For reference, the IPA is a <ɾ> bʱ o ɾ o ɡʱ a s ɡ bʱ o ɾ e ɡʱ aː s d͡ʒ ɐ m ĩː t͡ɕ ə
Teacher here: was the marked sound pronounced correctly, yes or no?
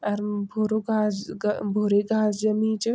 yes